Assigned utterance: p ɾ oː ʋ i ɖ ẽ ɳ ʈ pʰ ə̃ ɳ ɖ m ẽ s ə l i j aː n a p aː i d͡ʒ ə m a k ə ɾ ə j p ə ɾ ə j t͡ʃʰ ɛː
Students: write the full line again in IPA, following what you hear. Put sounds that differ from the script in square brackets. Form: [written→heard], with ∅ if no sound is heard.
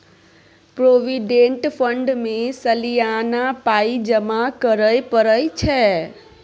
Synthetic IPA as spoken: p ɾ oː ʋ i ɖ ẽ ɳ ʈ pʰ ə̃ ɳ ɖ m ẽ s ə l i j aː n a p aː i d͡ʒ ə m a k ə ɾ ə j p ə ɾ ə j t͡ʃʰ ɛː